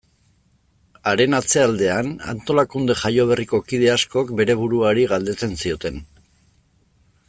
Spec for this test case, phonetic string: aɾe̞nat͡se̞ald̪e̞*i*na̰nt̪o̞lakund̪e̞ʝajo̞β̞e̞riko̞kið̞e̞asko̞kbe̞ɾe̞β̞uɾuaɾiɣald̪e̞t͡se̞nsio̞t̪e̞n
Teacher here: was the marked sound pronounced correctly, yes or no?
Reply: no